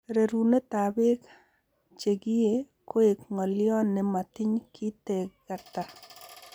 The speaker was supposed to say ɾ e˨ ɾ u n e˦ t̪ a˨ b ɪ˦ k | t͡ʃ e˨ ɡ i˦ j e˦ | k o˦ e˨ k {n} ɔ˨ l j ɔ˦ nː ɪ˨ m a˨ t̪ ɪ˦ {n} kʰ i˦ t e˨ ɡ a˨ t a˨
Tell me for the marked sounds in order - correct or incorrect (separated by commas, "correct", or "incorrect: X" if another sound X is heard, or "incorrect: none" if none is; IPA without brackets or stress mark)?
incorrect: ŋ, incorrect: ɲ